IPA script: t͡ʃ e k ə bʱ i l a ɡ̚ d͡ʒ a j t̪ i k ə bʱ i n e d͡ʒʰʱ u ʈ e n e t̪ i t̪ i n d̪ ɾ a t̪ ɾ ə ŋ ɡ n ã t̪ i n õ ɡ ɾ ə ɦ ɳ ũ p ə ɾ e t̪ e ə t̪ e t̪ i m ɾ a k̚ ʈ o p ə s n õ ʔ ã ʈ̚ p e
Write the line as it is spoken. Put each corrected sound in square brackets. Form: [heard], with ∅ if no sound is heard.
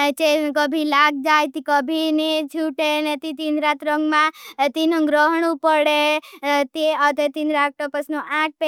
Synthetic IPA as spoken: t͡ʃ e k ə bʱ i l a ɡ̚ d͡ʒ a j t̪ i k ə bʱ i n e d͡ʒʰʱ u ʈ e n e t̪ i t̪ i n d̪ ɾ a t̪ ɾ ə ŋ ɡ [m] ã t̪ i n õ ɡ ɾ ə ɦ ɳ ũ p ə [ɽ] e t̪ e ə t̪ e t̪ i [n] ɾ a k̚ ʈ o p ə s n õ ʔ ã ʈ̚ p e